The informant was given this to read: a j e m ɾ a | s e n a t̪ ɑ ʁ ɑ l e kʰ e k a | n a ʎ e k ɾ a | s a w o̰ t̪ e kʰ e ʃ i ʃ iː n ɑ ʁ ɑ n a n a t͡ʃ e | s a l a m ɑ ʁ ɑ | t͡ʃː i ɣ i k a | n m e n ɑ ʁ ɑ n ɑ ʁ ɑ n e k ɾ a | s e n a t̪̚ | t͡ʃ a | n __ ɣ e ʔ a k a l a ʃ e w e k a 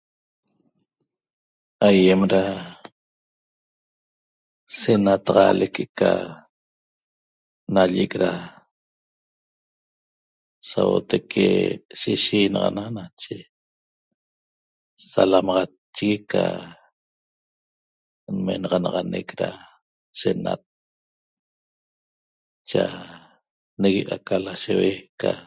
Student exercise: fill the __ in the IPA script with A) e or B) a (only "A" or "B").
A